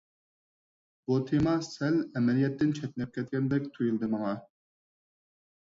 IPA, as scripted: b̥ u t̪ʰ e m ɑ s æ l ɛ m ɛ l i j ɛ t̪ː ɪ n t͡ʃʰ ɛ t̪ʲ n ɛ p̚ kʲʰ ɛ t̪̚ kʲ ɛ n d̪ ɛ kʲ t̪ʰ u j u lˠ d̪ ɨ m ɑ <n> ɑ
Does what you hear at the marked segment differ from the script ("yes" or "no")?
yes